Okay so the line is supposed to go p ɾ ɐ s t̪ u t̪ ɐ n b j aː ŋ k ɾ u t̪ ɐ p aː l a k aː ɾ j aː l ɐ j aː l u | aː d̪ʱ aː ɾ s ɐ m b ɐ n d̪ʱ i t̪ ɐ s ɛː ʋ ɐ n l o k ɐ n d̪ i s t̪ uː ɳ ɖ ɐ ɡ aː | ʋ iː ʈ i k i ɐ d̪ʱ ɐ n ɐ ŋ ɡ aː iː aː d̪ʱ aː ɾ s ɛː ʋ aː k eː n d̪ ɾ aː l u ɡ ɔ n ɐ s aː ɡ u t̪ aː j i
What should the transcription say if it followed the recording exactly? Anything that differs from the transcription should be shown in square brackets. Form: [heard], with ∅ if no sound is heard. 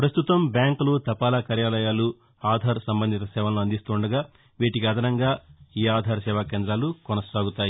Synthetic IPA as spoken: p ɾ ɐ s t̪ u t̪ ɐ [m] b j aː ŋ k [l] u t̪ ɐ p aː l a k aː ɾ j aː l ɐ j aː l u | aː d̪ʱ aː ɾ s ɐ m b ɐ n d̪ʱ i t̪ ɐ s ɛː ʋ ɐ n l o [∅] ɐ n d̪ i s t̪ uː ɳ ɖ ɐ ɡ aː | ʋ iː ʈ i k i ɐ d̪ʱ ɐ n ɐ ŋ ɡ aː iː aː d̪ʱ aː ɾ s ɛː ʋ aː k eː n d̪ ɾ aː l u [k] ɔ n ɐ s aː ɡ u t̪ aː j i